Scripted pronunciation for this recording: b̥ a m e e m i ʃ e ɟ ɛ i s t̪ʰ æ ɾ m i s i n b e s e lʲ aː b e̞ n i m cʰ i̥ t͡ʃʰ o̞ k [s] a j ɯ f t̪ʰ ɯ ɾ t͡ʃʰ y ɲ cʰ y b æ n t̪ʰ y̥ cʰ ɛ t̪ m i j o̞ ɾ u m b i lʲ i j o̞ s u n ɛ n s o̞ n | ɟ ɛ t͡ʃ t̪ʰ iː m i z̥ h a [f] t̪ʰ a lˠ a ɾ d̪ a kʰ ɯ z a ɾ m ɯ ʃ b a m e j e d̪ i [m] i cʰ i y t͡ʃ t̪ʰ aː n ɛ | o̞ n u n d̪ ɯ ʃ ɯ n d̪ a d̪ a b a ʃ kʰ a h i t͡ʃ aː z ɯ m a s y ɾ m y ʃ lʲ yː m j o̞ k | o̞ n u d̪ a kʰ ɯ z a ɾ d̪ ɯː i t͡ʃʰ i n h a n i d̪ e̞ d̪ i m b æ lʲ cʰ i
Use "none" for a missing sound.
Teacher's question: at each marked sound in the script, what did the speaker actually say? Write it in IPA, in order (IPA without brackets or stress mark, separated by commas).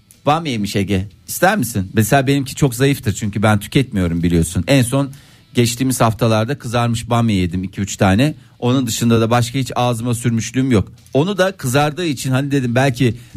z, f, m